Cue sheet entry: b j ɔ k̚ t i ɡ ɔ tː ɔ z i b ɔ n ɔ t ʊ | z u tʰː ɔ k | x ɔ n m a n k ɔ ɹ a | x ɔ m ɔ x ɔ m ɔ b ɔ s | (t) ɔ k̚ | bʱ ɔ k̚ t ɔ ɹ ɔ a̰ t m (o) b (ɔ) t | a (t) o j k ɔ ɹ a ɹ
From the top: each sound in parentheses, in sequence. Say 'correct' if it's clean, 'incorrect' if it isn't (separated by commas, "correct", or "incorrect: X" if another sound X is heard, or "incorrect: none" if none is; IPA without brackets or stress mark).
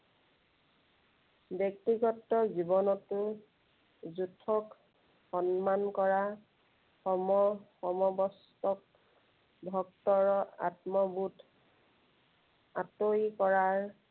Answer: correct, incorrect: ɔ, incorrect: u, correct